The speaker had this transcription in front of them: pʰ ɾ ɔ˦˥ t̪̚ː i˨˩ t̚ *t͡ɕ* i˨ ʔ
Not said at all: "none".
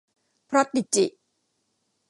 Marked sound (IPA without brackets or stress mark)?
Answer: t͡ɕ